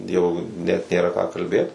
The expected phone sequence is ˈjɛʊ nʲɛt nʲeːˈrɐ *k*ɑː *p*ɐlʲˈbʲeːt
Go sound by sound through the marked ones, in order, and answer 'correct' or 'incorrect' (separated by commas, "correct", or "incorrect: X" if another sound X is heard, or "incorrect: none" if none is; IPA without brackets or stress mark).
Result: correct, incorrect: k